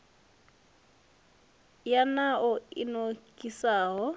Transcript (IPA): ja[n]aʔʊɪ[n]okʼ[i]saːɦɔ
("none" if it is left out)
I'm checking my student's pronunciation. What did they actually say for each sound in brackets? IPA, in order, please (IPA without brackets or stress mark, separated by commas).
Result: n, n, i